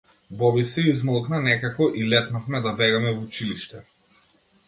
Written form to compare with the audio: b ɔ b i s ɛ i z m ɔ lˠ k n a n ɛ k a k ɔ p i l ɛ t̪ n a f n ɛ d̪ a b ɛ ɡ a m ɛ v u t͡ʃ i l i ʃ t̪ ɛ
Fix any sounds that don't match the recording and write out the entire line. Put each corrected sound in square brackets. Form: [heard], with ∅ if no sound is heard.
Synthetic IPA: b ɔ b i s ɛ i z m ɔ lˠ k n a n ɛ k a k ɔ [ʔ] i l ɛ t̪ n a f [m] ɛ d̪ a b ɛ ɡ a m ɛ v u t͡ʃ i l i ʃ t̪ ɛ